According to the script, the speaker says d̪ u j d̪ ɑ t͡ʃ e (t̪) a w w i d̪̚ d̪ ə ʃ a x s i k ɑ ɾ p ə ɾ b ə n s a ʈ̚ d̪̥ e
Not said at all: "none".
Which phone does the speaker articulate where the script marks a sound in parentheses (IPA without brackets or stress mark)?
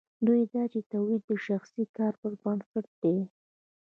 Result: t̪